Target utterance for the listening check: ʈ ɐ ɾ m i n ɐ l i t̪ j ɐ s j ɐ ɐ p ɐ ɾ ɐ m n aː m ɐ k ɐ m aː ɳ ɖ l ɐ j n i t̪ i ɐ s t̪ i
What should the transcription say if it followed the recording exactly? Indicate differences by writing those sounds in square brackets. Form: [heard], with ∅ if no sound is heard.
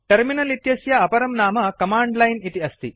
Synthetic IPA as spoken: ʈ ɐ ɾ m i n ɐ l i t̪ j ɐ s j ɐ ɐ p ɐ ɾ ɐ m n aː m ɐ k ɐ m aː ɳ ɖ l ɐ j n i t̪ i ɐ s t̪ i